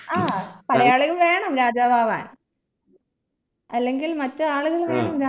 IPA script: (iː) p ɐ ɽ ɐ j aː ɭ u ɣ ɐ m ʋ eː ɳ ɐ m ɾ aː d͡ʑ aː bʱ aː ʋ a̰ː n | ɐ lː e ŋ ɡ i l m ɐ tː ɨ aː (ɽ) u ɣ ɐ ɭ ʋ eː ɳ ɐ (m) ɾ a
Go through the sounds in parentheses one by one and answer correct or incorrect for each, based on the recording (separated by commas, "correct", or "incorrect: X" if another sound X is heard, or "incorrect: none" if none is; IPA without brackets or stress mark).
incorrect: aː, incorrect: ɭ, correct